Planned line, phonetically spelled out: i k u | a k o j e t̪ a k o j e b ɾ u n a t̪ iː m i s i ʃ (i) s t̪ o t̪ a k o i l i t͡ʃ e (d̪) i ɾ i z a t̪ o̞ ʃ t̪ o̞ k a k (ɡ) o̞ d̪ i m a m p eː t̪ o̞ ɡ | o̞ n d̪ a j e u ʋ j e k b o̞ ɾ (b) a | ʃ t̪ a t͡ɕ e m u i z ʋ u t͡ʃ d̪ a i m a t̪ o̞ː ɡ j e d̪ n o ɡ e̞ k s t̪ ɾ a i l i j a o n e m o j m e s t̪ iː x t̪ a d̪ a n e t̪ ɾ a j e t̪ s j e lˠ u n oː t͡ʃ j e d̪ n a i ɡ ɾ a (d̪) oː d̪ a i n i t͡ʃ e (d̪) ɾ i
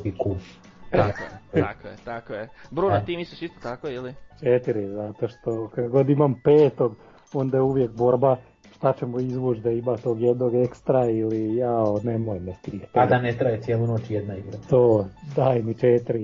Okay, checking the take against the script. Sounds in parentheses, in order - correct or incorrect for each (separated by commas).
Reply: correct, incorrect, correct, correct, incorrect, incorrect